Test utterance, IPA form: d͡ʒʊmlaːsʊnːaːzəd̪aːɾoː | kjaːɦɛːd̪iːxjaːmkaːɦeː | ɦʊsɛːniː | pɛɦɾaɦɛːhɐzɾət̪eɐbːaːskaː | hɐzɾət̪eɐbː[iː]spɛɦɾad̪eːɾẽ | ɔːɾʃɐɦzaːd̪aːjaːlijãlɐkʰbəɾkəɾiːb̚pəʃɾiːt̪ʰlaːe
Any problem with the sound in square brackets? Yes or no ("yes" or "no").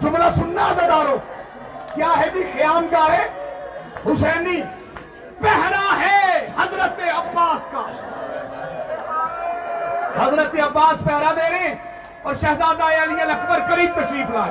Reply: yes